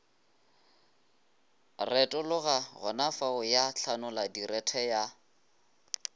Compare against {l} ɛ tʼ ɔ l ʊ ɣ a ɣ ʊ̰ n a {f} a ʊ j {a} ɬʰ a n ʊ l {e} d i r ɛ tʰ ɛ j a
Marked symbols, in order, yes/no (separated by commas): no, yes, yes, no